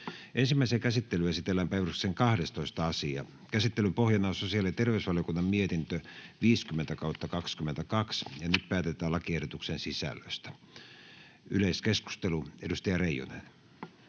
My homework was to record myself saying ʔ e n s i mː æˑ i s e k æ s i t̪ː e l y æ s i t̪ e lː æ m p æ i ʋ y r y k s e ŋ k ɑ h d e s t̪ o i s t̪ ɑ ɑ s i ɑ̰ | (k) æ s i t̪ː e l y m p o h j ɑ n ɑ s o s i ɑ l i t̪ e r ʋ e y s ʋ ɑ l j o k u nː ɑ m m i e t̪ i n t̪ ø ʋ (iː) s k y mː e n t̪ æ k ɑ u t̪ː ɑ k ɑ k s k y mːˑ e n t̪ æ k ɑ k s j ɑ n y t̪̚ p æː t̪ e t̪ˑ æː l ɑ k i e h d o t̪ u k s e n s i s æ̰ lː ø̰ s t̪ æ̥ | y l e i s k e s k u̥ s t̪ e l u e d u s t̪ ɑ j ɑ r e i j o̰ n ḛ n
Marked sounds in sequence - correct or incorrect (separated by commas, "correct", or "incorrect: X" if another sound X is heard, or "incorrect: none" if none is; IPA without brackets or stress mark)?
correct, correct